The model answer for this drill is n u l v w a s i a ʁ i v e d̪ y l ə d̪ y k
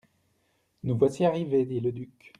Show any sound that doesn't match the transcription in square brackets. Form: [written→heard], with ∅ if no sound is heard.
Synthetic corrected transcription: n u [l→∅] v w a s i a ʁ i v e d̪ [y→i] l ə d̪ y k